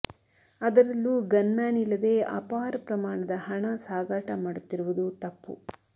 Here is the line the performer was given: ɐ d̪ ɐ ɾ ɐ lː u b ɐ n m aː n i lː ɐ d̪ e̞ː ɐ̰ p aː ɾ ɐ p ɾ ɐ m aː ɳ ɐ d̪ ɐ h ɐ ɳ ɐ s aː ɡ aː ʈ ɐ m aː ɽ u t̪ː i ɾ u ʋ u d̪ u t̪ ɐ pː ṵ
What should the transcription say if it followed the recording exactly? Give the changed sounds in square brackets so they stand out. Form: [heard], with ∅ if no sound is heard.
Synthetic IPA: ɐ d̪ ɐ ɾ ɐ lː u [ɡ] ɐ n m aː n i lː ɐ d̪ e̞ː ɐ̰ p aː ɾ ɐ p ɾ ɐ m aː ɳ ɐ d̪ ɐ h ɐ ɳ ɐ s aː ɡ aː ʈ ɐ m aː ɽ u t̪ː i ɾ u ʋ u d̪ u t̪ ɐ pː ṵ